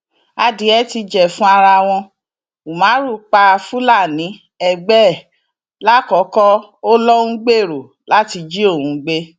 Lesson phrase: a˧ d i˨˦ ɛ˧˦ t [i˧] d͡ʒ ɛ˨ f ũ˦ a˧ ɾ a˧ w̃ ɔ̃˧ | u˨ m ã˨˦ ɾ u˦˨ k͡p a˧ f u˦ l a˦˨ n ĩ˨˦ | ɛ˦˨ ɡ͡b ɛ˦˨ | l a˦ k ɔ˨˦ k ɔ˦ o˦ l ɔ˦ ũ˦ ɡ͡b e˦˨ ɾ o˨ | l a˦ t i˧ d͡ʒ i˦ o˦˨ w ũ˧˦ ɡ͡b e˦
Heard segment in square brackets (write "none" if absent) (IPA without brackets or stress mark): i˧